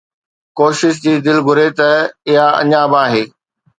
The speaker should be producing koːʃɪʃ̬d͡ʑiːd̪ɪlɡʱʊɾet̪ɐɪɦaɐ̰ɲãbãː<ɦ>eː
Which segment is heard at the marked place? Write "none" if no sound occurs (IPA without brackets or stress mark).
ɦ